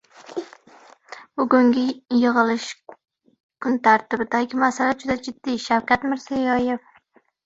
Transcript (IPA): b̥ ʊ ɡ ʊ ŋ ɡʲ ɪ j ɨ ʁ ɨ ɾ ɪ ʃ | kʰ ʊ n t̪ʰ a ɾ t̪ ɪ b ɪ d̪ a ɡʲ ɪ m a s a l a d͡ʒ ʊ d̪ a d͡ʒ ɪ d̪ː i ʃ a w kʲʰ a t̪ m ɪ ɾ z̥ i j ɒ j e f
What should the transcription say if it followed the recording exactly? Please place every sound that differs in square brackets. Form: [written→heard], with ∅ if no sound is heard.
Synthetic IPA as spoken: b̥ ʊ ɡ ʊ ŋ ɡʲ ɪ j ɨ ʁ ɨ [ɾ→l] ɪ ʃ | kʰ ʊ n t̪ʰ a ɾ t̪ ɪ b ɪ d̪ a ɡʲ ɪ m a s a l a d͡ʒ ʊ d̪ a d͡ʒ ɪ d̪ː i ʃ a w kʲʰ a t̪ m ɪ ɾ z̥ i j ɒ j e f